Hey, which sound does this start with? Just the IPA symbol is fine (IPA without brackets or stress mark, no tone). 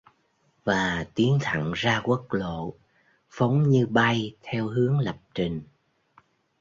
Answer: v